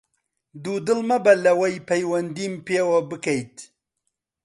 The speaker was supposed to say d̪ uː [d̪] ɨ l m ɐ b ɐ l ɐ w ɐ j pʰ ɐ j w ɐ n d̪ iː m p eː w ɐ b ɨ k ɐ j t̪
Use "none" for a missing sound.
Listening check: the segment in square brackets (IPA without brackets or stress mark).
d̪